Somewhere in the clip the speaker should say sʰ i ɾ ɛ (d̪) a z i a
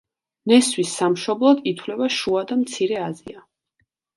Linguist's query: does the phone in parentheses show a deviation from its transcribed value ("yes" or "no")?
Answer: yes